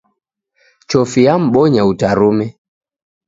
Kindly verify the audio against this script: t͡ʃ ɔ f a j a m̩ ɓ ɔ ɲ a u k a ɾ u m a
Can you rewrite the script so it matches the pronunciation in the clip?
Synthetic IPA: t͡ʃ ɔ f i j a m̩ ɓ ɔ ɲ a u t a ɾ u m ɛ